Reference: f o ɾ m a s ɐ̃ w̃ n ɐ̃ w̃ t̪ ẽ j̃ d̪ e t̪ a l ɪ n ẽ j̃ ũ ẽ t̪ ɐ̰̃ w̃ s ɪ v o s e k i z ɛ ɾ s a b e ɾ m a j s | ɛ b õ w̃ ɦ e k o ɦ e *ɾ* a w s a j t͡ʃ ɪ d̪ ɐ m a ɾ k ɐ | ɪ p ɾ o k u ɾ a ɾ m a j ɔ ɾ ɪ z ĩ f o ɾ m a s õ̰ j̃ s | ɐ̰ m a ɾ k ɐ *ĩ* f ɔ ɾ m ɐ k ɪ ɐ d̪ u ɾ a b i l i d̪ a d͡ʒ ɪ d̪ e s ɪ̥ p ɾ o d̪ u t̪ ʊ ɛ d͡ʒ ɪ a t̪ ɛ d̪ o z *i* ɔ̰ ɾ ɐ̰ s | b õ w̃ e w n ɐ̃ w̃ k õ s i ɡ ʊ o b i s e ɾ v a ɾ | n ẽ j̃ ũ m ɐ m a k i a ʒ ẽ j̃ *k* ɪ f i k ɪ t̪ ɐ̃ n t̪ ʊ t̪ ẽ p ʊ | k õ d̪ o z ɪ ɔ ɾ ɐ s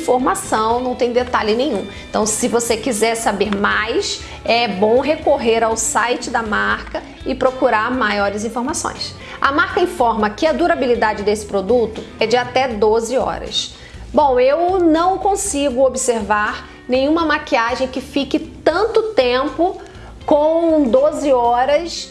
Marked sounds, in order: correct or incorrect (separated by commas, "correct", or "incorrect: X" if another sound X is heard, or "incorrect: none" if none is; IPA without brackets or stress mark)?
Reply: correct, correct, incorrect: ɪ, correct